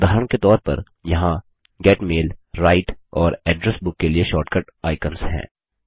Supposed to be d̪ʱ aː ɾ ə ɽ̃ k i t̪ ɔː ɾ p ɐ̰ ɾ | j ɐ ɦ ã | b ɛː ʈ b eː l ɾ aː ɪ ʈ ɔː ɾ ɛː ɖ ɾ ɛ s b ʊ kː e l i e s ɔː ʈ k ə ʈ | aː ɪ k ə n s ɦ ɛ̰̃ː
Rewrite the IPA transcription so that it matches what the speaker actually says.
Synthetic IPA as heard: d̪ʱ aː ɾ ə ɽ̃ k e t̪ ɔː ɾ p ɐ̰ ɾ | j ɐ ɦ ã | ɡ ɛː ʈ m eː l ɾ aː ɪ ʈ ɔː ɾ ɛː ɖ ɾ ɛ s b ʊ kː e l i e ʃ ɔː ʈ k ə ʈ | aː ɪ k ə n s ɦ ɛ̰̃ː